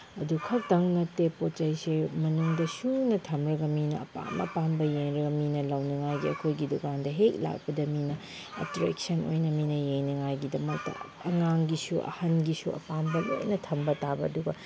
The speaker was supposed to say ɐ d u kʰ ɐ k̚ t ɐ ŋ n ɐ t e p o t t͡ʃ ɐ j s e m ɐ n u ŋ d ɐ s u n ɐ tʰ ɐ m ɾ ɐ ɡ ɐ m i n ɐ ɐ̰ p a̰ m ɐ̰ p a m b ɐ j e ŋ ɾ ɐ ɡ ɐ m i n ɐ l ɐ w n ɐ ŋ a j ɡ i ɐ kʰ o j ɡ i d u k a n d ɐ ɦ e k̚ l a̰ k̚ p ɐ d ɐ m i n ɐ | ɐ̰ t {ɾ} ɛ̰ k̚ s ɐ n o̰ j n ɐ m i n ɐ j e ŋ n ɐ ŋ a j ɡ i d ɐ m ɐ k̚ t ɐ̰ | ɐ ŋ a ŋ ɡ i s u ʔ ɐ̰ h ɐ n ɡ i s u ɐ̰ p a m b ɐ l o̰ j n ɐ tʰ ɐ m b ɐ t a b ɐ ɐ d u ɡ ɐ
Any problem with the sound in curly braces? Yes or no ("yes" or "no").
no